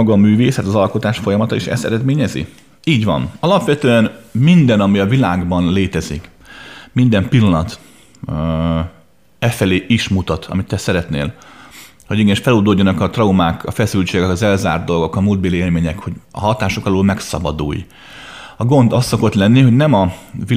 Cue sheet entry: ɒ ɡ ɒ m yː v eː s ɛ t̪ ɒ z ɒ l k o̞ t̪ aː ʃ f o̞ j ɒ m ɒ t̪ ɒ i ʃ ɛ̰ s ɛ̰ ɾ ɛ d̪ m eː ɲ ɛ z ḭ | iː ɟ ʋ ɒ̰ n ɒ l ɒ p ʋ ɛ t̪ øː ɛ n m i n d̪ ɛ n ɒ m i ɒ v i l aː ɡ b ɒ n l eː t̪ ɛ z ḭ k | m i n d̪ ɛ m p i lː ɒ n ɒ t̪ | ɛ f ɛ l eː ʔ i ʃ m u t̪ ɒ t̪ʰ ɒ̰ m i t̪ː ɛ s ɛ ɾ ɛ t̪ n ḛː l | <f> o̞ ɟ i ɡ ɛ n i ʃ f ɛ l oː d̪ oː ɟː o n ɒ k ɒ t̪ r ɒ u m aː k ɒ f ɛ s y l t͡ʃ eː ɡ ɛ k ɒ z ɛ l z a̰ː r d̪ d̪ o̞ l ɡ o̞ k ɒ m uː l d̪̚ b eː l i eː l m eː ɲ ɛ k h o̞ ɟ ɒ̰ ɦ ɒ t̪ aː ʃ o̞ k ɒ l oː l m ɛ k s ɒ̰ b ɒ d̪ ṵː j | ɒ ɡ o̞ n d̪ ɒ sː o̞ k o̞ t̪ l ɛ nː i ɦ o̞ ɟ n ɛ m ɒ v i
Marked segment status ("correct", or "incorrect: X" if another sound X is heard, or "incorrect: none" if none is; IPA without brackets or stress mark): incorrect: h